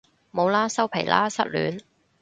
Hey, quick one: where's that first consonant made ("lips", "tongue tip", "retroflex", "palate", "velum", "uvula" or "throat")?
lips